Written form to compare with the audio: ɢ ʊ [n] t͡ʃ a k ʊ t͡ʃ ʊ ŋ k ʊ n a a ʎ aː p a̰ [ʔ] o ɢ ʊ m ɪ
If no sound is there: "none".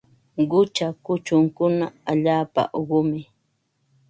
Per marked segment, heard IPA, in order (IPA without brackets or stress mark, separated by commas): none, ʔ